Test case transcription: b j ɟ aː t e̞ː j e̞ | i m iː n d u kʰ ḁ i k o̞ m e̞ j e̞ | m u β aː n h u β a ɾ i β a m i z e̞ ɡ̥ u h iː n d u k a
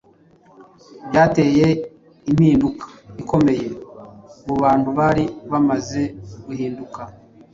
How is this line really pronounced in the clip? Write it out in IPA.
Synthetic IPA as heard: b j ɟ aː t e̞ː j e̞ | i m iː n d u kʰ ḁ i k o̞ m e̞ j e̞ | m u β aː n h u β a ɾ i β a m a z e̞ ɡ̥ u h iː n d u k a